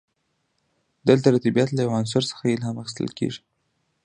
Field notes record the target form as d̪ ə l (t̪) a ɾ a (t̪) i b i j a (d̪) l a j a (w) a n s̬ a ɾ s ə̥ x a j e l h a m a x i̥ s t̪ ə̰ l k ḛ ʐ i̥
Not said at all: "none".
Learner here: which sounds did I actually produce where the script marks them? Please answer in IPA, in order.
t̪, t̪, t̪, w

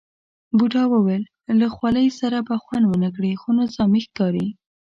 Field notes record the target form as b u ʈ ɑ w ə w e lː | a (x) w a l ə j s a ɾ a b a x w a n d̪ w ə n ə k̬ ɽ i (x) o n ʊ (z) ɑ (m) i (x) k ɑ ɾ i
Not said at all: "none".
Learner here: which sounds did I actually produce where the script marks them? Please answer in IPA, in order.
x, x, z, m, x

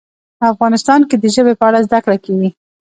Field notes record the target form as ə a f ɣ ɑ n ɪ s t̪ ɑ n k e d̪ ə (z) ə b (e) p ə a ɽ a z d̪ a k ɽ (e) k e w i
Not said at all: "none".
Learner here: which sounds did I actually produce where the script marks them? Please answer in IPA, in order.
ʒ, e, a

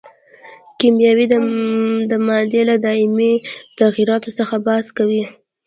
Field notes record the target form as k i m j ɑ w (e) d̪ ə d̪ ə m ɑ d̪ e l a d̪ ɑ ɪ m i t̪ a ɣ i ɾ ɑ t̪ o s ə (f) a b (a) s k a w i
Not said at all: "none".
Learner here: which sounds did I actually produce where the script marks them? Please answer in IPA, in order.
i, x, ɑ

